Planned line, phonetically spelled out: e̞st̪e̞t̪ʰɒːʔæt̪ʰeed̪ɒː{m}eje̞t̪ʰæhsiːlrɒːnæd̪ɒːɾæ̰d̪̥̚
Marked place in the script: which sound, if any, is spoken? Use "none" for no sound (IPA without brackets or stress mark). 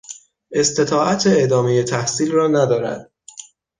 m